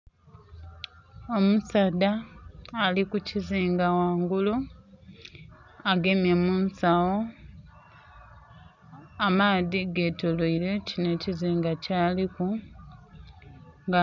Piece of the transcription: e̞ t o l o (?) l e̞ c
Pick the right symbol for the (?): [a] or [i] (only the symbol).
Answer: i